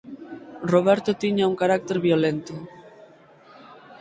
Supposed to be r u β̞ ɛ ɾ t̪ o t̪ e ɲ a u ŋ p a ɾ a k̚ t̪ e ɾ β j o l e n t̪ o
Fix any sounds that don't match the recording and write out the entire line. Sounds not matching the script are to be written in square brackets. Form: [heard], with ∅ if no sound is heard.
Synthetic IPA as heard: r [o] β̞ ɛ ɾ t̪ o t̪ [i] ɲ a u ŋ [k] a ɾ a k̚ t̪ e ɾ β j o l e n t̪ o